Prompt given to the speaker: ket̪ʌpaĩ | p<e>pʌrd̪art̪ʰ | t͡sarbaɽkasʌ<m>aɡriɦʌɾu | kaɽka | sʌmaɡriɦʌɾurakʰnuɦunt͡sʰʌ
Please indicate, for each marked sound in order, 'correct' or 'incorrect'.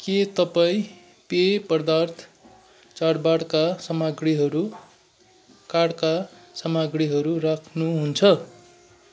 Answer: correct, correct

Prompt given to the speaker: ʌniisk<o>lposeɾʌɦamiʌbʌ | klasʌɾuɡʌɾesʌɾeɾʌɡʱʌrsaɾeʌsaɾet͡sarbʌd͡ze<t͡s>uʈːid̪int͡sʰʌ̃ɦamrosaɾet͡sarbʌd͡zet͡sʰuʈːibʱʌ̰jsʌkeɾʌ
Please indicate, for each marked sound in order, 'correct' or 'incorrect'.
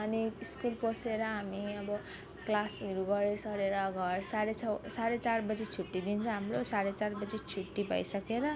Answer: incorrect, incorrect

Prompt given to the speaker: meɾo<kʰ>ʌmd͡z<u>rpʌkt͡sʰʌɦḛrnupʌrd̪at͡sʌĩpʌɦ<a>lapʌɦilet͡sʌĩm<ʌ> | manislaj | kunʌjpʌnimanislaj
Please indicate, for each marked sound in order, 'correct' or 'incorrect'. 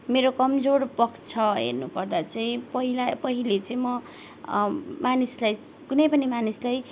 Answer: incorrect, incorrect, incorrect, correct

